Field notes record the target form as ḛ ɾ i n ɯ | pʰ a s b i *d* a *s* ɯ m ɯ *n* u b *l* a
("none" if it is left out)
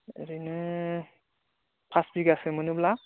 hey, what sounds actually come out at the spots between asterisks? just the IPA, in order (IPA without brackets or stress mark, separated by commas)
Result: ɡ, s, n, l